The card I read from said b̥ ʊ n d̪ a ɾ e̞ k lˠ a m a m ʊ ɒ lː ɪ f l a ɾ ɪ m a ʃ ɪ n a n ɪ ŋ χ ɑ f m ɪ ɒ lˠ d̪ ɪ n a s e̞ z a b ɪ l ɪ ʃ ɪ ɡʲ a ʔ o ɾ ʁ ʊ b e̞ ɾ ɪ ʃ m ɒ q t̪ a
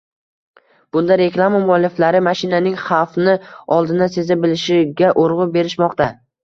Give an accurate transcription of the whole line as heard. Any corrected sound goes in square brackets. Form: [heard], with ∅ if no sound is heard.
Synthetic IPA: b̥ ʊ n d̪ a ɾ e̞ k lˠ a m a m ʊ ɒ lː ɪ f l a ɾ ɪ m a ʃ ɪ n a n ɪ ŋ χ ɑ f [n] ɪ ɒ lˠ d̪ ɪ n a s e̞ z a b ɪ l ɪ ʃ ɪ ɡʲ a ʔ o ɾ ʁ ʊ b e̞ ɾ ɪ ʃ m ɒ q t̪ a